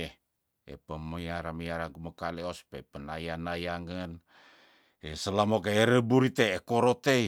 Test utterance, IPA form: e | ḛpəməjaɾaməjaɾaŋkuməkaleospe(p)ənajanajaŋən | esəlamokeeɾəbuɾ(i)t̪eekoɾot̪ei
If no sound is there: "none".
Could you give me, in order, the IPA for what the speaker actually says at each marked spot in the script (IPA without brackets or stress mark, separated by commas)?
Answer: p, i